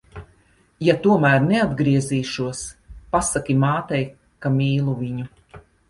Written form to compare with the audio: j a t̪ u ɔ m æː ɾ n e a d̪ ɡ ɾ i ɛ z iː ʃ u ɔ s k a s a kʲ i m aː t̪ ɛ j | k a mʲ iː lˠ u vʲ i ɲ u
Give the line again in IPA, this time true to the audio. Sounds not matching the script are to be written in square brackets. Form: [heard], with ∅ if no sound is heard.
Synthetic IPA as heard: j a t̪ u ɔ m æː ɾ n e a d̪ ɡ ɾ i ɛ z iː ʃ u ɔ s [p] a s a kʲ i m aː t̪ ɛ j | k a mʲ iː lˠ u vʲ i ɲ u